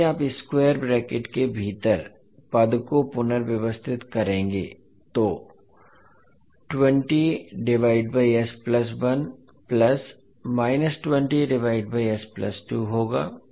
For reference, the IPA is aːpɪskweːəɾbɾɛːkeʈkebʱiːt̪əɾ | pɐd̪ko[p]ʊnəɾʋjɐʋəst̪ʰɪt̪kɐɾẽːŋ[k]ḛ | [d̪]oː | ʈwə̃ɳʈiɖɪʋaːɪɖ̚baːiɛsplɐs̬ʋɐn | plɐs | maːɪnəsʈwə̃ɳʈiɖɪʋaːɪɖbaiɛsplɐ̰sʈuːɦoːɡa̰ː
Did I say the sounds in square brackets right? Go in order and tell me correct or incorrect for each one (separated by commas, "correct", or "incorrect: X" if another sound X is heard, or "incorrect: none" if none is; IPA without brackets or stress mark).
correct, incorrect: ɡ, incorrect: t̪